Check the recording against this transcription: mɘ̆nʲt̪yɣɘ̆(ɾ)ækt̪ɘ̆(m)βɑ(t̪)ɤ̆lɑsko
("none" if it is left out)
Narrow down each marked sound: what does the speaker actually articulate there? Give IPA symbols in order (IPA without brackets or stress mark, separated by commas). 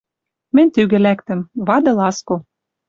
l, m, d̪